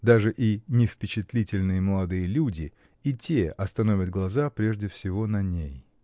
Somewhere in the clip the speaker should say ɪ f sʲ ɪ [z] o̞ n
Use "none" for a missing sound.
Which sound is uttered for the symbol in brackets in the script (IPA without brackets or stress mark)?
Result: v